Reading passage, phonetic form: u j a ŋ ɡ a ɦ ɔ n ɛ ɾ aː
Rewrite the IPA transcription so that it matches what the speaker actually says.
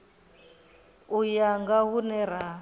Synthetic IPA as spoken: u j a ŋ ɡ a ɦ u n ɛ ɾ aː